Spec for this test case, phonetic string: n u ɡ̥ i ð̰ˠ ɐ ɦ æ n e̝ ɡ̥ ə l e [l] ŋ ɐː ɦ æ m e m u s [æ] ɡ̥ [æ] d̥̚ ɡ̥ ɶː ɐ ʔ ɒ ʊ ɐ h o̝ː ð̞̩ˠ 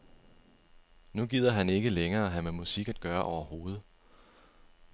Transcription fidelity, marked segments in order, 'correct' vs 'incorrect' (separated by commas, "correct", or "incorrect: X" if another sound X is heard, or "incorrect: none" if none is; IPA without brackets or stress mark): incorrect: none, incorrect: i, correct